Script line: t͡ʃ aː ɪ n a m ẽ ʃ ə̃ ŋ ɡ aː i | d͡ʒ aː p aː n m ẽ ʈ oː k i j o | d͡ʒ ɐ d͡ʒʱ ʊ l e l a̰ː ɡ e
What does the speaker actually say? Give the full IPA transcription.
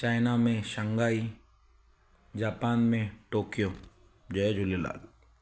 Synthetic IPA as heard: t͡ʃ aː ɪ n a m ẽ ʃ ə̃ ŋ ɡ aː i | d͡ʒ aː p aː n m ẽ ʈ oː k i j o | d͡ʒ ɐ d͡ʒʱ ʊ l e l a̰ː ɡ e